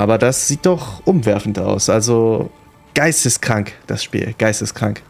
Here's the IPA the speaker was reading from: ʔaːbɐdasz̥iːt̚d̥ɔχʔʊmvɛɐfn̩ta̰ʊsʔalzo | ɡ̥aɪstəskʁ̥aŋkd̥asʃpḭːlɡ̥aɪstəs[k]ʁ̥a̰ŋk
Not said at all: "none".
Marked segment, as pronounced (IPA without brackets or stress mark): k